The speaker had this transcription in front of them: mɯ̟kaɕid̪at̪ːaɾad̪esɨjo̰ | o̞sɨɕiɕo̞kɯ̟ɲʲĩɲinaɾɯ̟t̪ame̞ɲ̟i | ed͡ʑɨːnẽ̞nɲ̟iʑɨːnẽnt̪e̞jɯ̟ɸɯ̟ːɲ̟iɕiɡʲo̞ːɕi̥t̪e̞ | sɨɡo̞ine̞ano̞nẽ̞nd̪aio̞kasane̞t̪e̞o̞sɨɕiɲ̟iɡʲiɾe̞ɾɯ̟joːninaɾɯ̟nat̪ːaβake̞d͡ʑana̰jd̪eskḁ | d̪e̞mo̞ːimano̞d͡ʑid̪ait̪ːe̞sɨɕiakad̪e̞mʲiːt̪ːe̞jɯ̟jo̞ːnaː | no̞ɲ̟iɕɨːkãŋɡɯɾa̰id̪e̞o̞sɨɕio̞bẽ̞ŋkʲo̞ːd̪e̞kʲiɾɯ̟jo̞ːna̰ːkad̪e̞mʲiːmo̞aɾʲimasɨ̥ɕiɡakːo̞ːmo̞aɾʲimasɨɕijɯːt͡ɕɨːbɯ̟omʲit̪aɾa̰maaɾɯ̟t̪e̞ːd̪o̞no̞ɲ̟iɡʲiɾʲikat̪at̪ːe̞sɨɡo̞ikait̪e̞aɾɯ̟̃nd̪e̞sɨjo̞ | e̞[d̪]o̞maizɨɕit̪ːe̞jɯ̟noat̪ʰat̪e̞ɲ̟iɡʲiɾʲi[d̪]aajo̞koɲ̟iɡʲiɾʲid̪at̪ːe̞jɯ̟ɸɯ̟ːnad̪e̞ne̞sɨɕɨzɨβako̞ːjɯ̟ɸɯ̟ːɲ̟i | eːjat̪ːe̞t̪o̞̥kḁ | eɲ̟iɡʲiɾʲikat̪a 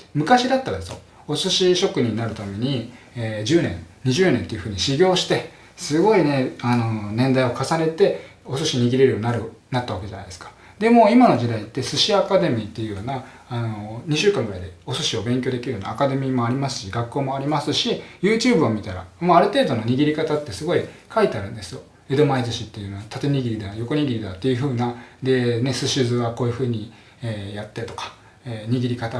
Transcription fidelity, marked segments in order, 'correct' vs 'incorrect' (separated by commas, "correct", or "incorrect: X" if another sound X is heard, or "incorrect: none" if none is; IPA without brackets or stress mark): correct, correct